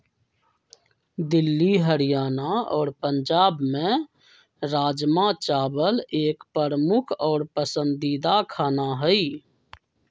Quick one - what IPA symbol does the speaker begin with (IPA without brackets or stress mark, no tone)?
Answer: d̪